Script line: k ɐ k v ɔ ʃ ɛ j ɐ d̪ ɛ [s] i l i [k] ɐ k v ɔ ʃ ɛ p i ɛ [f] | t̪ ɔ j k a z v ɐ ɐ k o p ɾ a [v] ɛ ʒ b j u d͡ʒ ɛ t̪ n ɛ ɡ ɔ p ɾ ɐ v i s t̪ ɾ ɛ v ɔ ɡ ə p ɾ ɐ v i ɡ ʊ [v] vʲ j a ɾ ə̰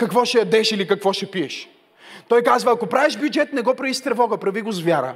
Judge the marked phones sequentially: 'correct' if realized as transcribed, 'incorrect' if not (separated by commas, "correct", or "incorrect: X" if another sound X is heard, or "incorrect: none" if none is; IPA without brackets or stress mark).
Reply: incorrect: ʃ, correct, incorrect: ʃ, correct, incorrect: z